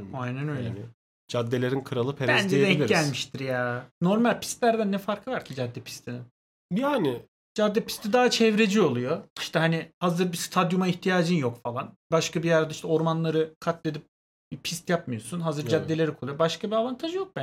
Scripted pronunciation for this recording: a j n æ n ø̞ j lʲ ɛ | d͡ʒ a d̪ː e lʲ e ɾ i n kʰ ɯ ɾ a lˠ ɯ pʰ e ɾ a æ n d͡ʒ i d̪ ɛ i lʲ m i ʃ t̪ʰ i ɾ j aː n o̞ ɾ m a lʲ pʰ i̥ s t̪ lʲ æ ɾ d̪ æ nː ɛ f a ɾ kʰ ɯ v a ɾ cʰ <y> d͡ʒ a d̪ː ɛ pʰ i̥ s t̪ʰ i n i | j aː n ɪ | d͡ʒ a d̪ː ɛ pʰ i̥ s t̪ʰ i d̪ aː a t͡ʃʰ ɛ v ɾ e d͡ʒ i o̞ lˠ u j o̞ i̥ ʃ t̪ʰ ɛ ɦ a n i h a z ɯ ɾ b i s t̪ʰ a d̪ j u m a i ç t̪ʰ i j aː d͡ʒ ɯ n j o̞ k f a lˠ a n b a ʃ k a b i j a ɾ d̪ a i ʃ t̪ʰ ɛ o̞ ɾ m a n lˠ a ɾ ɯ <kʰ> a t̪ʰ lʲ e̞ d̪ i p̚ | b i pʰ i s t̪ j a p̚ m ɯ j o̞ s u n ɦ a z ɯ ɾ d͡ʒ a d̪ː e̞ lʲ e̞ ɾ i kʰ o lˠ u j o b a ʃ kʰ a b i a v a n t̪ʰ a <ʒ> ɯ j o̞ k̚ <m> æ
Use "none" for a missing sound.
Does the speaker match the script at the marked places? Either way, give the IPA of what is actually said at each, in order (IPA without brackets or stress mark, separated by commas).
i, kʰ, ʒ, b